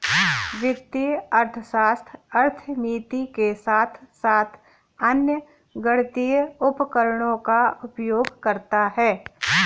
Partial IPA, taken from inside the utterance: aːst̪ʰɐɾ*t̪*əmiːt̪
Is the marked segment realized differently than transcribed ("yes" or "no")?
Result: yes